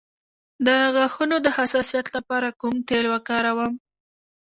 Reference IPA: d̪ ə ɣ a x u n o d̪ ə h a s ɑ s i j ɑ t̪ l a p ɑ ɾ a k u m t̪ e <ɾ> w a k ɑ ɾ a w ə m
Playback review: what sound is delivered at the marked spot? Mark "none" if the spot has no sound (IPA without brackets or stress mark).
l